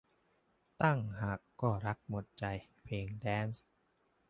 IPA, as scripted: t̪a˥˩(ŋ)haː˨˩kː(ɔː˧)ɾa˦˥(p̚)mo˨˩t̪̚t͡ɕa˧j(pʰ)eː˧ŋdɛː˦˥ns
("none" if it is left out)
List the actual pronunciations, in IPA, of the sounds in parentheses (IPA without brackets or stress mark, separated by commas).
ŋ, ɔː˥˩, k̚, pʰ